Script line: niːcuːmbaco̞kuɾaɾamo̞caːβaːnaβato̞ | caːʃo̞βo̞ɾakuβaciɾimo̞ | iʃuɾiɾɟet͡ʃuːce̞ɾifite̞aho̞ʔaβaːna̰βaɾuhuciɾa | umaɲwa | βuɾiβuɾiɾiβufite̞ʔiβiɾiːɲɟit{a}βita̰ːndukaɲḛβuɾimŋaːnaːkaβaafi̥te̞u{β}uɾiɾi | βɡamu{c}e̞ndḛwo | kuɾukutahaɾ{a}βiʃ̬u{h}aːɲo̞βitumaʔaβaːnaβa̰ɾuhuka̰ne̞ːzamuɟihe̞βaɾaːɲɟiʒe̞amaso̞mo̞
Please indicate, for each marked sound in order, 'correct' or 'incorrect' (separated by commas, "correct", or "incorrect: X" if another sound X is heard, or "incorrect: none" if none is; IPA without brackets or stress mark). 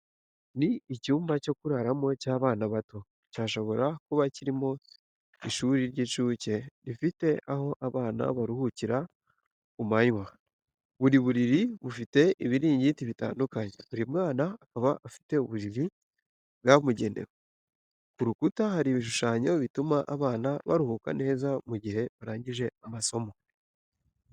incorrect: i, correct, incorrect: ɟ, incorrect: i, incorrect: ʃ